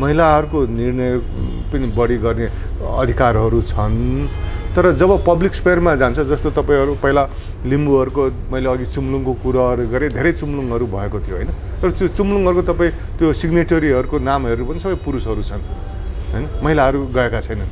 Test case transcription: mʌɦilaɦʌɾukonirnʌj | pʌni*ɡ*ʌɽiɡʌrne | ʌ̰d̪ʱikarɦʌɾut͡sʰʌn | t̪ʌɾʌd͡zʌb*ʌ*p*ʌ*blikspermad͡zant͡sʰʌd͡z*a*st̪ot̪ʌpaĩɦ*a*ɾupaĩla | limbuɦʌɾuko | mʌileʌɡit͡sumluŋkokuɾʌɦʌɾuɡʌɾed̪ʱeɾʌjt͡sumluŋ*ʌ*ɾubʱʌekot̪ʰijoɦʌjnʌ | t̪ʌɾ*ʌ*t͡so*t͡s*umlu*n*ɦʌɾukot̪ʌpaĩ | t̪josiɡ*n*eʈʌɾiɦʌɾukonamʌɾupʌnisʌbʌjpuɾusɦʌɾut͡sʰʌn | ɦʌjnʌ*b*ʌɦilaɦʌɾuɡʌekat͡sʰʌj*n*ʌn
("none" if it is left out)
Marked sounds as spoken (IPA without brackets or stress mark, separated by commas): b, ʌ, ʌ, ʌ, ʌ, ʌ, ʌ, t͡s, ŋ, n, m, n